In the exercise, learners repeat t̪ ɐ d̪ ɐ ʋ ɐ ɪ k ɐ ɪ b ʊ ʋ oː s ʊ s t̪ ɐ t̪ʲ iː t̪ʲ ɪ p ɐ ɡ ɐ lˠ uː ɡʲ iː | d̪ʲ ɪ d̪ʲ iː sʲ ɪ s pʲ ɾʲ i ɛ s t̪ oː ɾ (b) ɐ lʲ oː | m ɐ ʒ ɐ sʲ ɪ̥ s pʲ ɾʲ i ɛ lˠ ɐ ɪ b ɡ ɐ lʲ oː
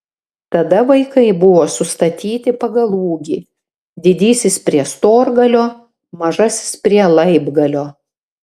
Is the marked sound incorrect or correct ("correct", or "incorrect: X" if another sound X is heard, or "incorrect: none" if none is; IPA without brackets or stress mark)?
incorrect: ɡ